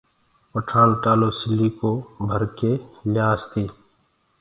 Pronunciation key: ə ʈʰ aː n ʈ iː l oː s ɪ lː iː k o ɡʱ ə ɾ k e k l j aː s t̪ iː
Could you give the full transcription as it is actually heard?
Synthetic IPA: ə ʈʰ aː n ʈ aː l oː s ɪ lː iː k o bʱ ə ɾ k e l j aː s t̪ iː